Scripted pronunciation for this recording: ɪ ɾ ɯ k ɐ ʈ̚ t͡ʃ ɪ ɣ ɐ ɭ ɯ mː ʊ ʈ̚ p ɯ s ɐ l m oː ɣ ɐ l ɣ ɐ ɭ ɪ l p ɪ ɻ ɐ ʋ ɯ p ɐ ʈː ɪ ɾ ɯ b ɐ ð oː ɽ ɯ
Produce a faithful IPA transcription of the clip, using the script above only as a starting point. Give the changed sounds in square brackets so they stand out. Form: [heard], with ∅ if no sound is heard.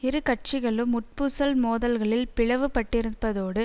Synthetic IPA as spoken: ɪ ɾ ɯ k ɐ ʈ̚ t͡ʃ ɪ ɣ ɐ ɭ ɯ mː ʊ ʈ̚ p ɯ s ɐ l m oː [ð] ɐ l ɣ ɐ ɭ ɪ l p ɪ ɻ ɐ ʋ ɯ p ɐ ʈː ɪ ɾ ɯ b ɐ ð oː ɽ ɯ